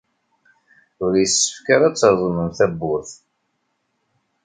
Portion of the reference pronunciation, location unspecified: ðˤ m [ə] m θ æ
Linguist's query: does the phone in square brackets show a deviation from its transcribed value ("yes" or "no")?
no